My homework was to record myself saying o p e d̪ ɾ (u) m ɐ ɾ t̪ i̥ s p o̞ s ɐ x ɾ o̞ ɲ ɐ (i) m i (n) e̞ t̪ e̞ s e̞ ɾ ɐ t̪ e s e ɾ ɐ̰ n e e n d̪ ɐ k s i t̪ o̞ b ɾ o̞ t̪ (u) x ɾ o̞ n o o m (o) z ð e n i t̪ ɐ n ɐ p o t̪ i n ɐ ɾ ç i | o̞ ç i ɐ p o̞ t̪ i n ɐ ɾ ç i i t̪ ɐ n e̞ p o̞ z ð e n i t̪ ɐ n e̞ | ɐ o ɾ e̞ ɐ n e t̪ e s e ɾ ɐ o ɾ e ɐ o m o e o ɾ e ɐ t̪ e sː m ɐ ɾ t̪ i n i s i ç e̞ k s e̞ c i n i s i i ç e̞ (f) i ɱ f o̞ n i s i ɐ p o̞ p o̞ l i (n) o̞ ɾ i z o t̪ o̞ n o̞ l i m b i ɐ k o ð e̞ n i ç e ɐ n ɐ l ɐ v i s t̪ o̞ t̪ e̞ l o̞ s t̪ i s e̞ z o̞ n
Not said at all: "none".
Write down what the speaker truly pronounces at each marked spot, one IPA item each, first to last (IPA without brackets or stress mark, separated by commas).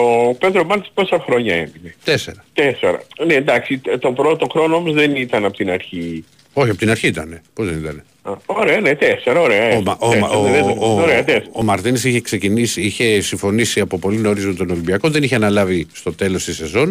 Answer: o, e, n, o, o, s, n